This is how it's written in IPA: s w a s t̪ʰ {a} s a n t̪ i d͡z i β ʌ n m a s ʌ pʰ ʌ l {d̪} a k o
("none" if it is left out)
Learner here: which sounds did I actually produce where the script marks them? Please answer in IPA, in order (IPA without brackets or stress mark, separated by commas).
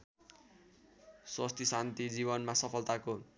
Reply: i, t̪